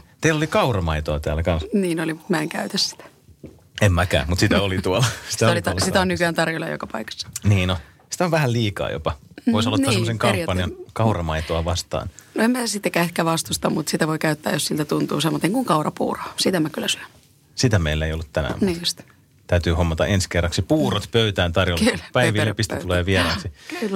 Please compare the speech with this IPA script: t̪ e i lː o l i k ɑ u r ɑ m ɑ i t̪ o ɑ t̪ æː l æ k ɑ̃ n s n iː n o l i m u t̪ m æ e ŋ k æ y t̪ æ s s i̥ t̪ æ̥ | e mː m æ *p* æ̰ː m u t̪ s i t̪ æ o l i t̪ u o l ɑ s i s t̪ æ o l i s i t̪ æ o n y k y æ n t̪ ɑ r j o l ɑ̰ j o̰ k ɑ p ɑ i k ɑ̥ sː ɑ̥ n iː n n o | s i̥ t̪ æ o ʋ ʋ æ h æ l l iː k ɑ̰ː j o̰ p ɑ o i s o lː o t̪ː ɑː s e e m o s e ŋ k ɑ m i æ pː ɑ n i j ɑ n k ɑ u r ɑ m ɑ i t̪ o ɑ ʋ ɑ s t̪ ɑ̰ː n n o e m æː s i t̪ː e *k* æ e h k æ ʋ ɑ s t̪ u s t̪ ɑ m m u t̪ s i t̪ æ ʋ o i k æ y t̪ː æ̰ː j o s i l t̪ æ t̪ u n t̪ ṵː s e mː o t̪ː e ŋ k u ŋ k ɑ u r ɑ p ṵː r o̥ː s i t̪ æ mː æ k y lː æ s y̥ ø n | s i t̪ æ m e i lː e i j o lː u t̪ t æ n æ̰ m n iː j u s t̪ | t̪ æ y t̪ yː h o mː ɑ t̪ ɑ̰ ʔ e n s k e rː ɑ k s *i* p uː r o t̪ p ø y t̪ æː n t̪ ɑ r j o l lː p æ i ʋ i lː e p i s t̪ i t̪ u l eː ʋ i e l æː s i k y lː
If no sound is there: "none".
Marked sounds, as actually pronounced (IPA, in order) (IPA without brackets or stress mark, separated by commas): k, k, i